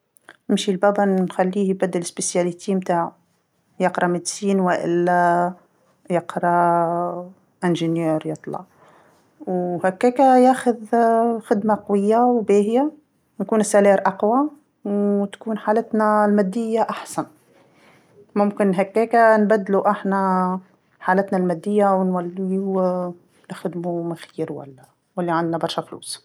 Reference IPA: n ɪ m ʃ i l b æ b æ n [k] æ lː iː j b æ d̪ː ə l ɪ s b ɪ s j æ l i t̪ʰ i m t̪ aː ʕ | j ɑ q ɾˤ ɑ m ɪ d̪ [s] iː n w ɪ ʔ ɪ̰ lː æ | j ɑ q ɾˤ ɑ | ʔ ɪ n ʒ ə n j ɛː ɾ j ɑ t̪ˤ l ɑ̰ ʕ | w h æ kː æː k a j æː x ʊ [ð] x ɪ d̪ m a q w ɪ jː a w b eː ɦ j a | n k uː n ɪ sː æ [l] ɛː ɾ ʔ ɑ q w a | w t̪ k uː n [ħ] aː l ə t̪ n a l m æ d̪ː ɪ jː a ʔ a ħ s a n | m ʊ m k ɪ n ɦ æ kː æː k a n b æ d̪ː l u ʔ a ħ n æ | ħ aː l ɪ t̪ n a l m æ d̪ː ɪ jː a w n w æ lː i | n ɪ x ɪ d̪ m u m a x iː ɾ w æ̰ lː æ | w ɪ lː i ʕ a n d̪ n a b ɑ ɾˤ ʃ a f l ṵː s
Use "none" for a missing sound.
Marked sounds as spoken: x, s, ð, l, ħ

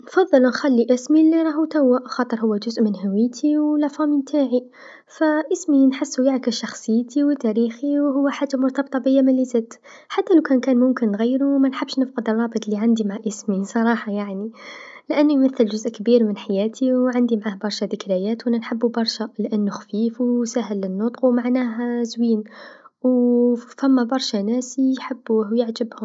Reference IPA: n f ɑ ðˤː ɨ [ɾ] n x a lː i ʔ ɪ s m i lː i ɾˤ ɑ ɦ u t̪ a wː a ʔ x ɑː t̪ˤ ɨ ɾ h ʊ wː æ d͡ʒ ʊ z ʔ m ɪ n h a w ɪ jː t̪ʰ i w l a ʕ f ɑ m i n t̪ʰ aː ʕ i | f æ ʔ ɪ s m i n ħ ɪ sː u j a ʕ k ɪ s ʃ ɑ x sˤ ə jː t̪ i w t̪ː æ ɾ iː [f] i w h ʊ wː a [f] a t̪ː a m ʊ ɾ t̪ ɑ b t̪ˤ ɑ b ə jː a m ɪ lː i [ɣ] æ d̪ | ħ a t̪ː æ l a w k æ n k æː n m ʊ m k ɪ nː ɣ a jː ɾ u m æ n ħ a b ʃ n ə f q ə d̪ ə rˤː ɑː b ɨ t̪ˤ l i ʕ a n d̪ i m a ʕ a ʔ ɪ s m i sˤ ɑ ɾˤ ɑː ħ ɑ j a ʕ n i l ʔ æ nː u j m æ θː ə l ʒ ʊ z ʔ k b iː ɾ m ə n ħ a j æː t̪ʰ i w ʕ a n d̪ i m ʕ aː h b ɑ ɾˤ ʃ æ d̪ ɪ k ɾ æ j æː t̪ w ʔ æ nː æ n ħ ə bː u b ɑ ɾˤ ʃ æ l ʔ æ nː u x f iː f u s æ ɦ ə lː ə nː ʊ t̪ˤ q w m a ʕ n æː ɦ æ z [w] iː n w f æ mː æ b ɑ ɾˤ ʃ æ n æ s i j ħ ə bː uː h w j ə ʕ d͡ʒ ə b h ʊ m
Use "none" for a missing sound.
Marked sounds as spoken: l, x, ħ, z, w

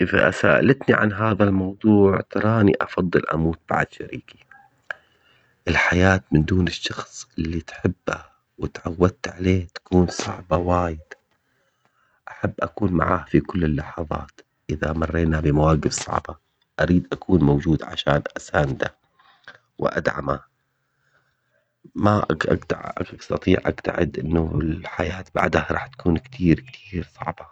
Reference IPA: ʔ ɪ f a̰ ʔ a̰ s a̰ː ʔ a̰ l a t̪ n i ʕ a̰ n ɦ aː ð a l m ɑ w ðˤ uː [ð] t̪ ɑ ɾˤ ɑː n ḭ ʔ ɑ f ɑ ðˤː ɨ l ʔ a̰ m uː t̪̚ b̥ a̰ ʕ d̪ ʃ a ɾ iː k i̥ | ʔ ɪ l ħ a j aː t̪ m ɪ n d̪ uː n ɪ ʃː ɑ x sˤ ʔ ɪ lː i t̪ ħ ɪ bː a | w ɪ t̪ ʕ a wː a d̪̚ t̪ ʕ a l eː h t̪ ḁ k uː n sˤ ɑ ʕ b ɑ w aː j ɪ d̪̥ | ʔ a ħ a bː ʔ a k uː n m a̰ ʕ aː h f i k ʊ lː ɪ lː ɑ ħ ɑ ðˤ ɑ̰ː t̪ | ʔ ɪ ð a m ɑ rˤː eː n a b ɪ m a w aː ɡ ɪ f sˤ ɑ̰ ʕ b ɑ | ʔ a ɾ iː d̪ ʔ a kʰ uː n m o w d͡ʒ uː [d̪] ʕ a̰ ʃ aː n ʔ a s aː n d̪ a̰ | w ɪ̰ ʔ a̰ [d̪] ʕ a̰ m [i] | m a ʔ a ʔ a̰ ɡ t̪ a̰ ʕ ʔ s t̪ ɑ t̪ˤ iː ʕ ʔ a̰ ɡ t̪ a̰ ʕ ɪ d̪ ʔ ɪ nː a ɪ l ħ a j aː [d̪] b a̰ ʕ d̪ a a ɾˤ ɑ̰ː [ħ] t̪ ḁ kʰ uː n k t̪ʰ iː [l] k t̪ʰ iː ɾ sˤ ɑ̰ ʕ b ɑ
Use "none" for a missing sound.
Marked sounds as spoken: ʕ, d̪, d̪, a, t̪, ħ, ɾ

